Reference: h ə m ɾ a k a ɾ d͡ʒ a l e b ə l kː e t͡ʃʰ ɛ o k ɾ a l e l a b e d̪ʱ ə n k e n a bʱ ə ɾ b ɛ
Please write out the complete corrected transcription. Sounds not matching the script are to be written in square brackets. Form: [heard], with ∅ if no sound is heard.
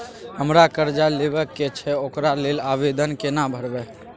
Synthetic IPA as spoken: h ə m ɾ a k [ə] ɾ d͡ʒ a l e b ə [∅] kː e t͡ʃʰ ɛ o k ɾ a l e l a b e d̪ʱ ə n k e n a bʱ ə ɾ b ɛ